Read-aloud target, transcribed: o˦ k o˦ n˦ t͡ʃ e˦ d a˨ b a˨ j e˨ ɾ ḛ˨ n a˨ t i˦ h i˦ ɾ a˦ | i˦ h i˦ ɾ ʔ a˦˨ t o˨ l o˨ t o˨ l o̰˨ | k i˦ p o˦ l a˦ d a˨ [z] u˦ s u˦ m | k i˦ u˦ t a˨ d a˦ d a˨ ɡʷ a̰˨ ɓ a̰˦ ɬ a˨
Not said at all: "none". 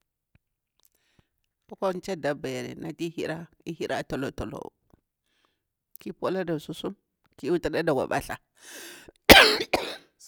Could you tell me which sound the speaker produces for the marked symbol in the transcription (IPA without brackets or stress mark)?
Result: s